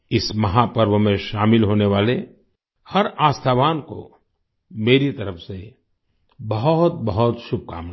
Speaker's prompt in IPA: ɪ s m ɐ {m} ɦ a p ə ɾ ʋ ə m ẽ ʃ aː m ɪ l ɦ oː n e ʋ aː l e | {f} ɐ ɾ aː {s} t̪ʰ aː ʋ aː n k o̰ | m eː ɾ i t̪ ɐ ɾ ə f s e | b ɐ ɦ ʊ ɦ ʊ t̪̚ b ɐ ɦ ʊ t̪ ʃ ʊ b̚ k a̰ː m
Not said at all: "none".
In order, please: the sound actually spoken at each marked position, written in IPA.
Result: none, h, s

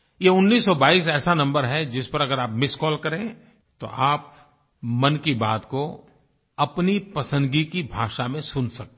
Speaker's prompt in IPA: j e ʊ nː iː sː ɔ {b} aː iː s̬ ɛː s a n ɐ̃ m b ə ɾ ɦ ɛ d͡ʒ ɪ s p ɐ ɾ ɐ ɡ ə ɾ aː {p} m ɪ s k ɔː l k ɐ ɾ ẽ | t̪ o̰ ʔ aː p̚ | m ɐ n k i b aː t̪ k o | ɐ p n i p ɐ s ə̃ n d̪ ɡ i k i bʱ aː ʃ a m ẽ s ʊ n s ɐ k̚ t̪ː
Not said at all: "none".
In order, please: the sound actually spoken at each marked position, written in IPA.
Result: b, p

